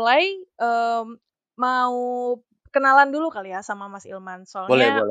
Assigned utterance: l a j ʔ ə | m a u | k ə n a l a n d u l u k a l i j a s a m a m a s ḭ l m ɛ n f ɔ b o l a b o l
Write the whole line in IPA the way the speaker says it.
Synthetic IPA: l a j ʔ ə | m a u | k ə n a l a n d u l u k a l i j a s a m a m a s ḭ l m a n s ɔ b o l ɛ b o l